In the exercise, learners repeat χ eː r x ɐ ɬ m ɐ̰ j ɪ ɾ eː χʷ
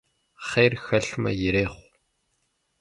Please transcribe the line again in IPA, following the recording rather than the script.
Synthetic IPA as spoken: χ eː r x ɐ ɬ m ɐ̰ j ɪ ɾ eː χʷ